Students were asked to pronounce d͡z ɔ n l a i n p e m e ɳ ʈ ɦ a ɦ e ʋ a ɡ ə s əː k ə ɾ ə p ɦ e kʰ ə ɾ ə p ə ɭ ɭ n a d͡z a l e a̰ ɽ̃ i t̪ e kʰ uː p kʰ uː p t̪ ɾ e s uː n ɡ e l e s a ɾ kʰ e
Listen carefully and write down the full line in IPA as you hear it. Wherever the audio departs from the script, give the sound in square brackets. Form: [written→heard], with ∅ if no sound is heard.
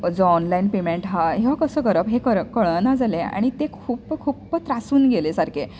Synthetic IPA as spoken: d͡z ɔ n l a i n p e m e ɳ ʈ ɦ a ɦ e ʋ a [ɡ→k] ə s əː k ə ɾ ə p ɦ e [kʰ→k] ə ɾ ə [p→k] ə ɭ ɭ n a d͡z a l e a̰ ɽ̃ i t̪ e kʰ uː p kʰ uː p t̪ ɾ [e→a] s uː n ɡ e l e s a ɾ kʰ e